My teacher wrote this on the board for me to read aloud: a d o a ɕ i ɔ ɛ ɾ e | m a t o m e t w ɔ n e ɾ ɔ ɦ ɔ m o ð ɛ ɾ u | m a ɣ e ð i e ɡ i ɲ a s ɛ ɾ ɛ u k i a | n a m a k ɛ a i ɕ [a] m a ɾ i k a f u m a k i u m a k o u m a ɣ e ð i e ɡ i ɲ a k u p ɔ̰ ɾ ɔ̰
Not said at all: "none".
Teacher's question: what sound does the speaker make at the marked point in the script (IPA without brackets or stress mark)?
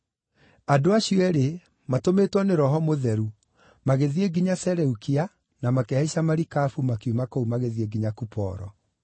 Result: a